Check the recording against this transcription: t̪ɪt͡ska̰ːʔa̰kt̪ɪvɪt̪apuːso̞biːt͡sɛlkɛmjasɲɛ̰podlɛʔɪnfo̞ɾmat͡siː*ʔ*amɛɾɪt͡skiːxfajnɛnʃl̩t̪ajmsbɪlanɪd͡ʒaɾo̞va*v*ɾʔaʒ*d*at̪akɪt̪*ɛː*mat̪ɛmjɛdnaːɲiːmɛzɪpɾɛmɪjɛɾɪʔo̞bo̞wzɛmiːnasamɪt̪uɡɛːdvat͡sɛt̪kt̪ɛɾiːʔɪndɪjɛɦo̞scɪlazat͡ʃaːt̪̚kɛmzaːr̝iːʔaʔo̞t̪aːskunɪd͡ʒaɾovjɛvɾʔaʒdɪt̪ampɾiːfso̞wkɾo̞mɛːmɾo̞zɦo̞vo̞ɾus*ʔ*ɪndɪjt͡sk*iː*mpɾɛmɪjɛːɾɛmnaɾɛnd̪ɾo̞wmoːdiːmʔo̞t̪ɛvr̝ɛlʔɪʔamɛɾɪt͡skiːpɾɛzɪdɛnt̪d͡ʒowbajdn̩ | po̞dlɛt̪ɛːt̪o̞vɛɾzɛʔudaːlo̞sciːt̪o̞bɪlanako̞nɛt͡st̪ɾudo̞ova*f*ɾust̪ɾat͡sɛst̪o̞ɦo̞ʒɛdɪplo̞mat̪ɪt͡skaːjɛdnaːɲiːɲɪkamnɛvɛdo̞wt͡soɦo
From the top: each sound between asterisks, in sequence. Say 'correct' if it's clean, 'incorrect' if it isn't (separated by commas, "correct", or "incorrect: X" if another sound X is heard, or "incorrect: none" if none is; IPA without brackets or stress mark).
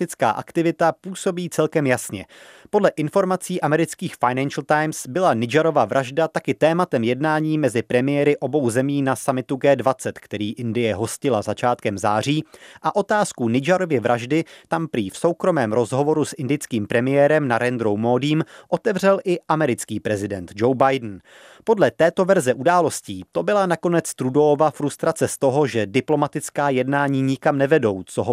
correct, correct, correct, correct, correct, correct, correct